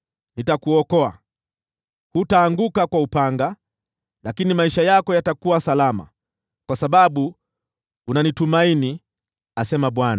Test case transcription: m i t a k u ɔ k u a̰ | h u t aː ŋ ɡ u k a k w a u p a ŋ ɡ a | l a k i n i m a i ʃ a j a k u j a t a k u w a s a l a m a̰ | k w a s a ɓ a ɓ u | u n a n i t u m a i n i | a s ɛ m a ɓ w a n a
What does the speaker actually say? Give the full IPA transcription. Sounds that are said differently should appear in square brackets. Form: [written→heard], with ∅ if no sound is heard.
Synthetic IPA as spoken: [m→n] i t a k u ɔ k [u→ɔ] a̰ | h u t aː ŋ ɡ u k a k w a u p a ŋ ɡ a | l a k i n i m a i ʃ a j a k [u→ɔ] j a t a k u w a s a l a m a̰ | k w a s a ɓ a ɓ u | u n a n i t u m a i n i | a s ɛ m a ɓ w a n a